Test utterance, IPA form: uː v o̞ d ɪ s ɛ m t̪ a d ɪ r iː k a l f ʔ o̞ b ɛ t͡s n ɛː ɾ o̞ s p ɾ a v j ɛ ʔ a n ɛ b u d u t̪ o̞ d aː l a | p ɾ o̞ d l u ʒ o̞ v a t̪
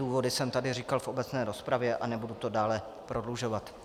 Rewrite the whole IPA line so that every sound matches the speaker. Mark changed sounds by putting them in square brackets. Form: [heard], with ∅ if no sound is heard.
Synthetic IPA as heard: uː v o̞ d ɪ s ɛ m t̪ a d ɪ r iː k a l f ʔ o̞ b ɛ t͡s n ɛː ɾ o̞ s p ɾ a v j ɛ ʔ a n ɛ b u d u t̪ o̞ d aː l [ɛ] | p ɾ o̞ d l u ʒ o̞ v a t̪

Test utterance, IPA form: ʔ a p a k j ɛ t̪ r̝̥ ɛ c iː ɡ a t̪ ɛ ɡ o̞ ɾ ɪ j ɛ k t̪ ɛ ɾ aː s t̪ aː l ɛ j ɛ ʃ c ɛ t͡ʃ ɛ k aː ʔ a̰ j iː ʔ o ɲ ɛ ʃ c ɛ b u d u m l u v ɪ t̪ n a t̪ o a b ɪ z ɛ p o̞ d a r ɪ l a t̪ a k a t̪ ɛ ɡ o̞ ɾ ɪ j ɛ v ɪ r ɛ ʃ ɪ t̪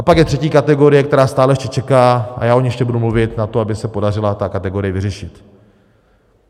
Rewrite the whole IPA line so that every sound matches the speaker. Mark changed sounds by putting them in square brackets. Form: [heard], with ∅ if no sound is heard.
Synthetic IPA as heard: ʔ a p a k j ɛ t̪ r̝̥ ɛ c iː [k] a t̪ ɛ ɡ o̞ ɾ ɪ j ɛ k t̪ ɛ ɾ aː s t̪ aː l ɛ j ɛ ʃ c ɛ t͡ʃ ɛ k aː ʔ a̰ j [aː] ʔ o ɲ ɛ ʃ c ɛ b u d u m l u v ɪ t̪ n a t̪ o a b ɪ [s] ɛ p o̞ d a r ɪ l a t̪ a k a t̪ ɛ ɡ o̞ ɾ ɪ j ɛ v ɪ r ɛ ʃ ɪ t̪

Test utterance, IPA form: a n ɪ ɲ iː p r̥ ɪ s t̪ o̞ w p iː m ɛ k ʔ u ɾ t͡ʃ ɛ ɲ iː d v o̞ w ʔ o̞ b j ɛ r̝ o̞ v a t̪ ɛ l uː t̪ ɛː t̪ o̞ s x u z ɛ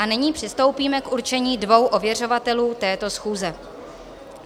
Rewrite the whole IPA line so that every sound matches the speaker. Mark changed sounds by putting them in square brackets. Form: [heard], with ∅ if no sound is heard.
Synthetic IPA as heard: a n ɪ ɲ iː p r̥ ɪ s t̪ o̞ w p iː m ɛ k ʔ u ɾ t͡ʃ ɛ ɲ iː d v o̞ w ʔ o̞ [v] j ɛ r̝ o̞ v a t̪ ɛ l uː t̪ ɛː t̪ o̞ s x [uː] z ɛ

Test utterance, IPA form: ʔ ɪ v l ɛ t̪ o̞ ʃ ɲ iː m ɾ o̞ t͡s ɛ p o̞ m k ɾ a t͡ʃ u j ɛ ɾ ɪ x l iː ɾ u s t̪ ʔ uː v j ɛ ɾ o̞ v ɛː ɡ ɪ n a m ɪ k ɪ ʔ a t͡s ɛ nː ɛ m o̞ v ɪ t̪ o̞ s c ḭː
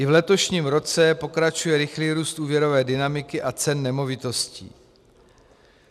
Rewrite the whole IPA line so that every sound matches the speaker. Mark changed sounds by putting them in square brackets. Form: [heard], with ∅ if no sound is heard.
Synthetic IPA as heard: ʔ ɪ v l ɛ t̪ o̞ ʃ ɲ iː m ɾ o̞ t͡s ɛ p o̞ [∅] k ɾ a t͡ʃ u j ɛ ɾ ɪ x l iː ɾ [uː] s t̪ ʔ uː v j ɛ ɾ o̞ v ɛː [d] ɪ n a m ɪ k ɪ ʔ a t͡s ɛ nː ɛ m o̞ v ɪ t̪ o̞ s c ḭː

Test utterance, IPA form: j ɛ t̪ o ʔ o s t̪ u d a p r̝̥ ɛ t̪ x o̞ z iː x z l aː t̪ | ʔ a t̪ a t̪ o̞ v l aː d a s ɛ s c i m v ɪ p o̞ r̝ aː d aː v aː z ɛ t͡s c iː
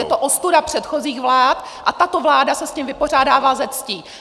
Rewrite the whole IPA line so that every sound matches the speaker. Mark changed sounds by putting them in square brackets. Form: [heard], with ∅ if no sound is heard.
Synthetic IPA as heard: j ɛ t̪ o ʔ o s t̪ u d a p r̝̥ ɛ t̪ x o̞ z iː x [v] l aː t̪ | ʔ a t̪ a t̪ o̞ v l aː d a s ɛ s c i m v ɪ p o̞ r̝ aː d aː v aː z ɛ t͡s c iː

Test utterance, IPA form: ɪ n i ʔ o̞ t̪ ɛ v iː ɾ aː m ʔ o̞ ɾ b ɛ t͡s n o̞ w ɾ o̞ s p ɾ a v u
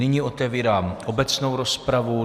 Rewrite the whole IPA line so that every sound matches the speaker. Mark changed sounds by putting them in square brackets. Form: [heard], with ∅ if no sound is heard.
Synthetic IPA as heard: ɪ [ɲ] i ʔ o̞ t̪ ɛ v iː ɾ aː m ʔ o̞ [∅] b ɛ t͡s n o̞ w ɾ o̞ s p ɾ a v u

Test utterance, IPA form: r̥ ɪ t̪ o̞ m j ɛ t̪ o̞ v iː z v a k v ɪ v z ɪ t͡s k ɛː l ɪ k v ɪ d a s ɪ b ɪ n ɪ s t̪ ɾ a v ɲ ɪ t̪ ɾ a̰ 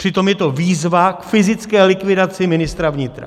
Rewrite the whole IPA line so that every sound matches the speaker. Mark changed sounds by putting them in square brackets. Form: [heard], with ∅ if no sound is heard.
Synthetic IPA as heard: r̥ ɪ t̪ o̞ m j ɛ t̪ o̞ v iː z v a k [f] ɪ [∅] z ɪ t͡s k ɛː l ɪ k v ɪ d a [t͡s] ɪ [m] ɪ n ɪ s t̪ ɾ a v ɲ ɪ t̪ ɾ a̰

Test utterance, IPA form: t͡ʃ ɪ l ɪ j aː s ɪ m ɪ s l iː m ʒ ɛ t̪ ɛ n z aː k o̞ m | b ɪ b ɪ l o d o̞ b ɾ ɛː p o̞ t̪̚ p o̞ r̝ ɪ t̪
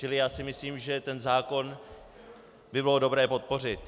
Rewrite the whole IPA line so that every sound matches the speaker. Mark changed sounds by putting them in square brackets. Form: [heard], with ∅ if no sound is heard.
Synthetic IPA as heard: t͡ʃ ɪ l ɪ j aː s ɪ m ɪ s l iː m ʒ ɛ t̪ ɛ n z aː k o̞ [n] | b ɪ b ɪ l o d o̞ b ɾ ɛː p o̞ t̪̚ p o̞ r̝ ɪ t̪

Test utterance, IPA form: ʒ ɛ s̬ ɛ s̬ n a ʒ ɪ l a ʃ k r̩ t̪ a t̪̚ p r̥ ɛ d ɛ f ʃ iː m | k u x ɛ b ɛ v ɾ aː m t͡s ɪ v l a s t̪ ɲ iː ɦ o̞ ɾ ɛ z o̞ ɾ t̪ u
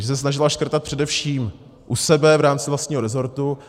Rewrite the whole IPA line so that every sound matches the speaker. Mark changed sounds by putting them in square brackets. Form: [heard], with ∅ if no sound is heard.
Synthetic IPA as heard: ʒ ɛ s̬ ɛ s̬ n a ʒ ɪ l a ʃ k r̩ t̪ a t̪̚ p r̥ ɛ d ɛ f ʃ iː m | [ʔ] u [s] ɛ b ɛ v ɾ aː m t͡s ɪ v l a s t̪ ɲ iː ɦ o̞ ɾ ɛ z o̞ ɾ t̪ u

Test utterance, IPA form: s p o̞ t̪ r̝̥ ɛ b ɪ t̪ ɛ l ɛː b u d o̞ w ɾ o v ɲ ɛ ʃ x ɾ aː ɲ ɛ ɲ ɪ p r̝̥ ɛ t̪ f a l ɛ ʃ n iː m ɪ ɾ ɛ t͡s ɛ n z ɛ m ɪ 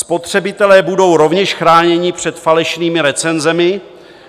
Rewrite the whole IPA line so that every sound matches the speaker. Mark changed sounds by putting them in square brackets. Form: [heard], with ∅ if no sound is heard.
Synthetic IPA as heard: s p o̞ t̪ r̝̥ ɛ b ɪ t̪ ɛ l ɛː b u d o̞ w ɾ o v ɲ ɛ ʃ x ɾ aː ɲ ɛ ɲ ɪ p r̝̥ ɛ t̪ f a l ɛ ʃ n iː m ɪ ɾ ɛ t͡s ɛ n z ɛ m ɪ

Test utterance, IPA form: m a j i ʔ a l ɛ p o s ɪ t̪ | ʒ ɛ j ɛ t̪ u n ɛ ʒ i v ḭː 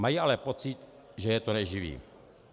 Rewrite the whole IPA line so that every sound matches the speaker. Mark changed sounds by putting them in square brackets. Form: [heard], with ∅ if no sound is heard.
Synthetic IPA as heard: m a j i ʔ a l ɛ p o [t͡s] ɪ t̪ | ʒ ɛ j ɛ t̪ [o] n ɛ ʒ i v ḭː

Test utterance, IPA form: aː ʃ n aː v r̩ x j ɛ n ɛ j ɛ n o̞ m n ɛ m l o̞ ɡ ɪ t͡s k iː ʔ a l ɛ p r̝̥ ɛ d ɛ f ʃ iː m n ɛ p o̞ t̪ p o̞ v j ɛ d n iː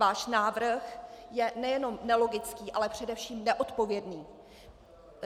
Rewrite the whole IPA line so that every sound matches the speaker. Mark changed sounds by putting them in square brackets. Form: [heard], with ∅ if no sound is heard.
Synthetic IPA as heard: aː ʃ n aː v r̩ x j ɛ n ɛ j ɛ n o̞ m n ɛ [∅] l o̞ ɡ ɪ t͡s k iː ʔ a l ɛ p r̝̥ ɛ d ɛ f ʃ iː m n ɛ [ʔ] o̞ t̪ p o̞ v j ɛ d n iː

